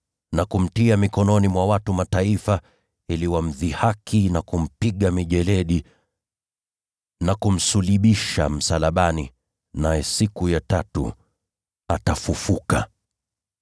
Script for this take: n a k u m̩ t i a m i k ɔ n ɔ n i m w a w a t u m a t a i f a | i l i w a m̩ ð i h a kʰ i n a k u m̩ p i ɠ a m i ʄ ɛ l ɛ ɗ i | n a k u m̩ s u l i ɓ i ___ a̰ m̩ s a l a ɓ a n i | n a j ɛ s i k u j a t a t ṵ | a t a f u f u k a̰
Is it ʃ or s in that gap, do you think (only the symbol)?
ʃ